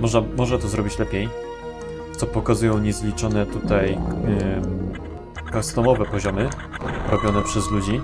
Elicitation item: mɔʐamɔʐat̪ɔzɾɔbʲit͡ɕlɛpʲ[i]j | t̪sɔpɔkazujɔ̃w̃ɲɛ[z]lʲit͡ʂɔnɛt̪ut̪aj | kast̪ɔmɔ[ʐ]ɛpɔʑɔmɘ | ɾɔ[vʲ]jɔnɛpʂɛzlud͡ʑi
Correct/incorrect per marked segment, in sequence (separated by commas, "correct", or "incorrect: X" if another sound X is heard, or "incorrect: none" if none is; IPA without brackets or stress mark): incorrect: e, correct, incorrect: v, incorrect: bʲ